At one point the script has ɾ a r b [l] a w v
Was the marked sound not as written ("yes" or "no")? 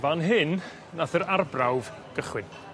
yes